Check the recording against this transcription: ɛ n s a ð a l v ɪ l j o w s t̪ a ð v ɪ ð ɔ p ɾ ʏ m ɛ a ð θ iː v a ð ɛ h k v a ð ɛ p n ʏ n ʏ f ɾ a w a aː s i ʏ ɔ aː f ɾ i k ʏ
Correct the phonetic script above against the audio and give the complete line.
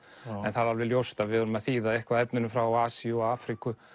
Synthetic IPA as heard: ɛ n θ a ð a l v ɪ l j o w s t̪ a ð v ɪ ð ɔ ɾ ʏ m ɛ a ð θ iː ð a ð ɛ h k v a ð ɛ p n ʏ n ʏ f ɾ a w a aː s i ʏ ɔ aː f ɾ i k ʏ